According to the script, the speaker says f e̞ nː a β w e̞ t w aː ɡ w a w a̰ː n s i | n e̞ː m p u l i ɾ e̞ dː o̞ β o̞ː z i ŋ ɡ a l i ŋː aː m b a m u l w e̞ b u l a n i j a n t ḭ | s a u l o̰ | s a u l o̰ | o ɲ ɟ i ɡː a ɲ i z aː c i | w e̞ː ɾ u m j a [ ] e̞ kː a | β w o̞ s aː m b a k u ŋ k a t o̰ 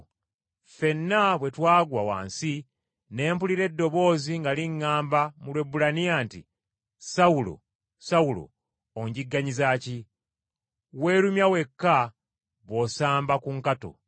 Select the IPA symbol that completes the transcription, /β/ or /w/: w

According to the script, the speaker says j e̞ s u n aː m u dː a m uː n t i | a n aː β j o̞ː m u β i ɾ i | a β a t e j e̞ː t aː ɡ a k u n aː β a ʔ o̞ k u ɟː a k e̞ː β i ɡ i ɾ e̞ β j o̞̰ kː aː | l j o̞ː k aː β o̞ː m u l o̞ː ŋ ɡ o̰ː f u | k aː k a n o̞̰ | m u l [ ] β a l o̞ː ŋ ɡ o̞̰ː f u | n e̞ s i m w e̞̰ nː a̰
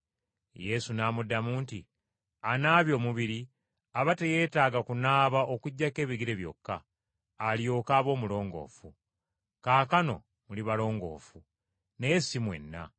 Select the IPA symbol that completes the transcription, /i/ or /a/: i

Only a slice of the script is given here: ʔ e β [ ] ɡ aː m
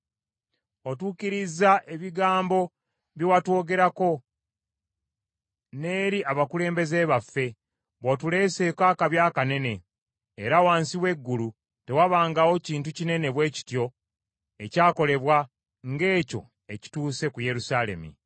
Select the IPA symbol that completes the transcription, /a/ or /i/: i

